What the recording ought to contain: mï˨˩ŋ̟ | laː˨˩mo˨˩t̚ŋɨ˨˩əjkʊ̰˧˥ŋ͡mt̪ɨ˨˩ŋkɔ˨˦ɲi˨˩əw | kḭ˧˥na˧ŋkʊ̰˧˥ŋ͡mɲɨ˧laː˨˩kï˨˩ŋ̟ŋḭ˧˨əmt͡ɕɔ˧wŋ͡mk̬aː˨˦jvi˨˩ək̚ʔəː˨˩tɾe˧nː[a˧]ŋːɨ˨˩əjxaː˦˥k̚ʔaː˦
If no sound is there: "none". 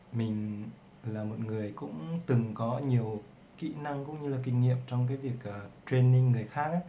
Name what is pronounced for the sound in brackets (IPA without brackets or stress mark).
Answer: i˧